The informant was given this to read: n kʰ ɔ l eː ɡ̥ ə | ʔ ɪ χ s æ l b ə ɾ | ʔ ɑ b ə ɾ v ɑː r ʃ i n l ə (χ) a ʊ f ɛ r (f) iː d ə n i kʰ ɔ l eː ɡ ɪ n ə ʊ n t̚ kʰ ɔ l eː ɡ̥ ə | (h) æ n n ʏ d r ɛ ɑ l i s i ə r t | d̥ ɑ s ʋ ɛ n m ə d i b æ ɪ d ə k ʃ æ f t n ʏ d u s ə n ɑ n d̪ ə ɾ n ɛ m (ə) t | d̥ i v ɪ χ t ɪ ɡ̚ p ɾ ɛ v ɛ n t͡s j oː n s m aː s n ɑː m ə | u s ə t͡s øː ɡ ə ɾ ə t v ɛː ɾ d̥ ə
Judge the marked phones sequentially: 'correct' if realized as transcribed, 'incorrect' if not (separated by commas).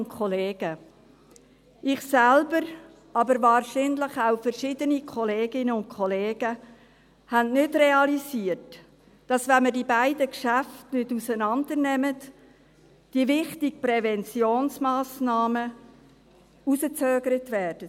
correct, incorrect, correct, correct